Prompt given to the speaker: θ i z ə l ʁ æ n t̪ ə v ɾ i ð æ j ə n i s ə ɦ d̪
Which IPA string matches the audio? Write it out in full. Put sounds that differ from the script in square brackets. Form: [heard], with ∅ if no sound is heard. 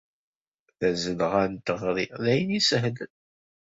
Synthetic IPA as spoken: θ [æ] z ə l ʁ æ n t̪ ə [ʁ] ɾ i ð æ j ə n i s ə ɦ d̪